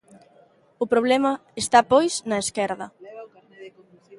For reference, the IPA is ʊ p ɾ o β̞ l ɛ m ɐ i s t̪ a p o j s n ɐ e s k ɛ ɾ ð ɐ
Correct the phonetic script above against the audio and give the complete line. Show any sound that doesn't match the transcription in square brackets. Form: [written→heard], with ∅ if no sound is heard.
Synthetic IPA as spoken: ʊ p ɾ o β̞ l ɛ m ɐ [i→e] s t̪ a p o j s n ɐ e s k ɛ ɾ ð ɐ